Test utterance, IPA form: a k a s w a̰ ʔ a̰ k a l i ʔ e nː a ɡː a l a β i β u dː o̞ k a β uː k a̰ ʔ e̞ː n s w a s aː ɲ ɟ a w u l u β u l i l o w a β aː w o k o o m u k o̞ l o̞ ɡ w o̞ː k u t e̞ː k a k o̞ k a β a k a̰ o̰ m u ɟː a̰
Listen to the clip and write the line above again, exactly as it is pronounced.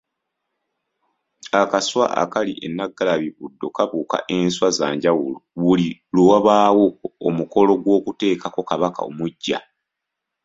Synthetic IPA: a k a s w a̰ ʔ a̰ k a l i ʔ e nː a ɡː a l a β i β u dː o̞ k a β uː k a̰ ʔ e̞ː n s w a z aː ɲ ɟ a w u l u β u l i l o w a β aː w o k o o m u k o̞ l o̞ ɡ w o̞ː k u t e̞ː k a k o̞ k a β a k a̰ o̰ m u ɟː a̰